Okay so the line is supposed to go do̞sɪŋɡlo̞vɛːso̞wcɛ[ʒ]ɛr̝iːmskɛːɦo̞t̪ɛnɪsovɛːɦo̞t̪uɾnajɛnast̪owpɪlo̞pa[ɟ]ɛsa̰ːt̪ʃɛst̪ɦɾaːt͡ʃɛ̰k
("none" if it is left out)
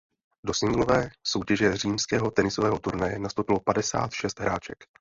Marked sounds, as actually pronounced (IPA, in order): ʒ, d

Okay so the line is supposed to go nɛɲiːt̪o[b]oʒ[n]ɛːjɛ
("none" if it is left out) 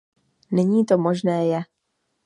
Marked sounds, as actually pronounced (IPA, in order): m, n

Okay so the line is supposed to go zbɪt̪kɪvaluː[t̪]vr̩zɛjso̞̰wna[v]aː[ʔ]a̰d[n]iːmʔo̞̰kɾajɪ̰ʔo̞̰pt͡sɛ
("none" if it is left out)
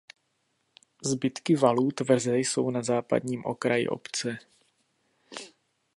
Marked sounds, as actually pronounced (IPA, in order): t̪, z, p, ɲ

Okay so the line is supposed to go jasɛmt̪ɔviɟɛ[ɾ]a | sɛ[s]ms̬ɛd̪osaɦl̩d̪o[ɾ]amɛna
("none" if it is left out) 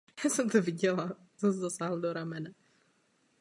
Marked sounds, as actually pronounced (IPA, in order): l, none, ɾ

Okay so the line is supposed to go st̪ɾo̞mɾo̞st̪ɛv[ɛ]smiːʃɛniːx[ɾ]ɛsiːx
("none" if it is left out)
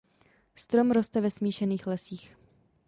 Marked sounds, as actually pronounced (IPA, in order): ɛ, l

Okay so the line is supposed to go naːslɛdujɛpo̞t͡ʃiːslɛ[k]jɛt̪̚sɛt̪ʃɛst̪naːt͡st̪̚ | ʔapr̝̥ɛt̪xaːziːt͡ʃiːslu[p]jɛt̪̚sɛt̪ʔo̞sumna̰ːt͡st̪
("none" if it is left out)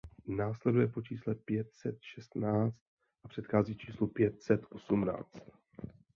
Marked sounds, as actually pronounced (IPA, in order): p, p

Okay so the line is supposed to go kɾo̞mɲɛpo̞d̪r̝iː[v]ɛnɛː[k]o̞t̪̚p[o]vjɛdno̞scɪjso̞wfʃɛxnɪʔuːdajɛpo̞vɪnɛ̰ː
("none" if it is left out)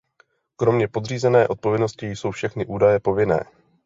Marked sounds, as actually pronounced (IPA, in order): z, ʔ, o

